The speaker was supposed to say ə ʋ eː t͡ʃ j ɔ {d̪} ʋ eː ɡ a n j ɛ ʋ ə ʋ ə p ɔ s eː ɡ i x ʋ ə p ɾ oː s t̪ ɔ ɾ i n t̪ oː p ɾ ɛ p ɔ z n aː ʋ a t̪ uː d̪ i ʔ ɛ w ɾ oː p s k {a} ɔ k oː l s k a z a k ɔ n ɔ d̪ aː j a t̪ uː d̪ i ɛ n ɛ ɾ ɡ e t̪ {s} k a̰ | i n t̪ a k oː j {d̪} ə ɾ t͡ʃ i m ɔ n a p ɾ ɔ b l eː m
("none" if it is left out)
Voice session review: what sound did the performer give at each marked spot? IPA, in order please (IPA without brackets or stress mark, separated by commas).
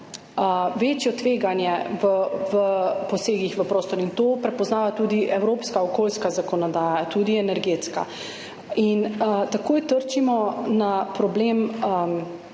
t̪, a, s, t̪